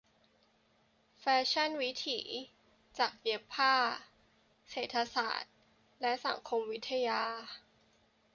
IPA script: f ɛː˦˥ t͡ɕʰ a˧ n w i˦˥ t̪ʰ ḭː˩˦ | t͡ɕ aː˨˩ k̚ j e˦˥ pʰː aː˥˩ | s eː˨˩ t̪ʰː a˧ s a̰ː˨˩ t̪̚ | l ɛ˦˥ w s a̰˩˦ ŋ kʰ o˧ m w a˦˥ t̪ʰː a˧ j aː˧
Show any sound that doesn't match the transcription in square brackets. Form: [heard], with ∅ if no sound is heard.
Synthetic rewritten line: f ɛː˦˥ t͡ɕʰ [a˥˩] n w i˦˥ t̪ʰ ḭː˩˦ | t͡ɕ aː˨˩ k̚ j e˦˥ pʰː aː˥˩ | s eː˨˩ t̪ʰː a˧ s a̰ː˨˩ t̪̚ | l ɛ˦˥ [∅] s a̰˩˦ ŋ kʰ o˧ m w [i˦˥] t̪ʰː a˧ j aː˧

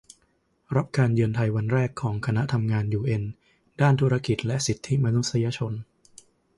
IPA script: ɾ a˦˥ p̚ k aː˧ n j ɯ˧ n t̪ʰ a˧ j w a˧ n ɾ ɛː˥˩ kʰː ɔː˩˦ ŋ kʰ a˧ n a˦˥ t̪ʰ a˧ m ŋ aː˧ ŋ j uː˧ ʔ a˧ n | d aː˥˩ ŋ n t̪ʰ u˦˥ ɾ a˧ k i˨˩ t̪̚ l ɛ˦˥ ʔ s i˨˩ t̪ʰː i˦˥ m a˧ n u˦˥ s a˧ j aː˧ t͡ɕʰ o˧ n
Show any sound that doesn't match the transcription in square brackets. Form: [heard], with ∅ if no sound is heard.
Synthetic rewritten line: ɾ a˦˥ p̚ k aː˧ n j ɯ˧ n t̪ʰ a˧ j w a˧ n ɾ ɛː˥˩ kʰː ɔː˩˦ ŋ kʰ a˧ n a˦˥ t̪ʰ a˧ m ŋ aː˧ [n] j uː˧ ʔ [e˧] n | d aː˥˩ [∅] n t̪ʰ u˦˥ ɾ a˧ k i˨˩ t̪̚ l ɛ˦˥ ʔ s i˨˩ t̪ʰː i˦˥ m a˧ n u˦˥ s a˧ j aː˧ t͡ɕʰ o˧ n

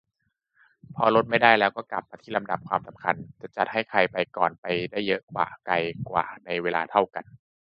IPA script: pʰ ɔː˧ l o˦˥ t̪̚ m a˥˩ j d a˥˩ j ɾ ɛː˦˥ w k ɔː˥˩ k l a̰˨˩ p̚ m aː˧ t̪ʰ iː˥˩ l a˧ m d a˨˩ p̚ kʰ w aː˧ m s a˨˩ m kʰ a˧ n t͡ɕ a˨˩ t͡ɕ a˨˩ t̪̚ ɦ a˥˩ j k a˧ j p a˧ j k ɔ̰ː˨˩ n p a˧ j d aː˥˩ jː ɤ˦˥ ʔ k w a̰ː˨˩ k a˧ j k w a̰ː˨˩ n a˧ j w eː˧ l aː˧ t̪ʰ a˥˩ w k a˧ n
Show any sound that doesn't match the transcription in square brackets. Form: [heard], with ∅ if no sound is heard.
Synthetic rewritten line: pʰ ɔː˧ l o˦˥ t̪̚ m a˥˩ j d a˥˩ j [l] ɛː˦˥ w k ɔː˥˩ k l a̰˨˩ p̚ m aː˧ t̪ʰ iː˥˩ l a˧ m d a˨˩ p̚ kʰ w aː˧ m s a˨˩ m kʰ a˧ n t͡ɕ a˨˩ t͡ɕ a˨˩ t̪̚ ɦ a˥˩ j [kʰ] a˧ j p a˧ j k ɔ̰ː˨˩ n p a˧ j d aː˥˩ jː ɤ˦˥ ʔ k w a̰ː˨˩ k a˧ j k w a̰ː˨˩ n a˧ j w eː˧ l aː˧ t̪ʰ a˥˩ w k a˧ n

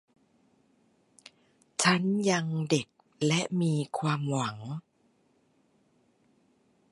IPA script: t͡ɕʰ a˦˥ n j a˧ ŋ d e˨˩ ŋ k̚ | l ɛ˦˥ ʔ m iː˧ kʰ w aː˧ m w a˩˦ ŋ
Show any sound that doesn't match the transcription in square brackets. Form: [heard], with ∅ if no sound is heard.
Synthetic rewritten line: t͡ɕʰ a˦˥ n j a˧ ŋ d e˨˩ [∅] k̚ | l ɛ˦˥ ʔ m iː˧ kʰ w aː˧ m w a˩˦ ŋ

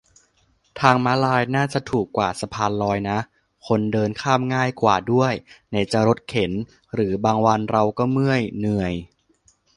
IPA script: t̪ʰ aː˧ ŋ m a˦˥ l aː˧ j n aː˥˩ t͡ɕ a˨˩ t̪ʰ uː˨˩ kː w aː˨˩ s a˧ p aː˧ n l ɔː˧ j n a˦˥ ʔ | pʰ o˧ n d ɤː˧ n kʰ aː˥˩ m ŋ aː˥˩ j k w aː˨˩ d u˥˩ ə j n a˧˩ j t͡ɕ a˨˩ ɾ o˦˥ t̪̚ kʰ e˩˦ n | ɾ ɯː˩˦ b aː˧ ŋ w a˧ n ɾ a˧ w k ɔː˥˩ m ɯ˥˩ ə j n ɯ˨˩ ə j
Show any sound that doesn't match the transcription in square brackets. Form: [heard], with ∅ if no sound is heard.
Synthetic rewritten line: t̪ʰ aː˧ ŋ m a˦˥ l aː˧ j n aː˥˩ t͡ɕ a˨˩ t̪ʰ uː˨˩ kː w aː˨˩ s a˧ [pʰ] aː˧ n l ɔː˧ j n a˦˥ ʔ | [kʰ] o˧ n d ɤː˧ n kʰ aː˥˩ m ŋ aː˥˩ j k w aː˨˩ d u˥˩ ə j n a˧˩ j t͡ɕ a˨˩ ɾ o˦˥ t̪̚ kʰ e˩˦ n | ɾ ɯː˩˦ b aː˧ ŋ w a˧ n ɾ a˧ w k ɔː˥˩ m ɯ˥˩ ə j n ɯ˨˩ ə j

